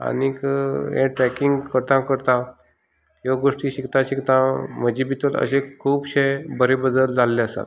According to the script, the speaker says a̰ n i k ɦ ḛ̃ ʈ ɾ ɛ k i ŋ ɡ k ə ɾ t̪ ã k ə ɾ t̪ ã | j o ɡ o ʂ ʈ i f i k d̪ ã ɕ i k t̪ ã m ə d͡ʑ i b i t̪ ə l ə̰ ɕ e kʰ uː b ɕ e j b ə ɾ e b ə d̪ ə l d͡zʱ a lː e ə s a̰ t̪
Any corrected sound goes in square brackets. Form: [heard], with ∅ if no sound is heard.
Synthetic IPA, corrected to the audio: a̰ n i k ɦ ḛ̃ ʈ ɾ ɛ k i ŋ ɡ k ə ɾ t̪ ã k ə ɾ t̪ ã | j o ɡ o ʂ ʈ i [ɕ] i k [t̪] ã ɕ i k t̪ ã m ə d͡ʑ i b i t̪ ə l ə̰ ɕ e kʰ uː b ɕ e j b ə ɾ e b ə d̪ ə l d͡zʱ a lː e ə s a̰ t̪